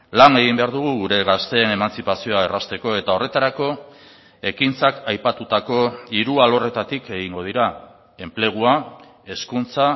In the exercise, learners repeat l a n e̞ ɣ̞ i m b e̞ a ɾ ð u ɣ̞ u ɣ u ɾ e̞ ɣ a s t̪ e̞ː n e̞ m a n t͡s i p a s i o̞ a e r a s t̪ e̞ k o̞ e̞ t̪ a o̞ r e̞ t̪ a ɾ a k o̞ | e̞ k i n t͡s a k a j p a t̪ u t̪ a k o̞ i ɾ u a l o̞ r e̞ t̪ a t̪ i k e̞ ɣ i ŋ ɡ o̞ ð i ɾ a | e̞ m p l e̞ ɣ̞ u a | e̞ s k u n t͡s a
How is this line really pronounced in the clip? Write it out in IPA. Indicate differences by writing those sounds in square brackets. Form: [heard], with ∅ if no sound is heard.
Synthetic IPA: l a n e̞ ɣ̞ i m b e̞ a ɾ ð u ɣ̞ u ɣ u ɾ e̞ ɣ a s t̪ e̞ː n e̞ m a n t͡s i p a s i o̞ a e r a s t̪ e̞ k o̞ e̞ t̪ a o̞ r e̞ t̪ a ɾ a k o̞ | e̞ k i n t͡s a k a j p a t̪ u t̪ a k o̞ i ɾ u a l o̞ r e̞ t̪ a t̪ i k e̞ ɣ i ŋ ɡ o̞ ð i ɾ a | e̞ m p l e̞ ɣ̞ u a | e̞ s k u n t͡s a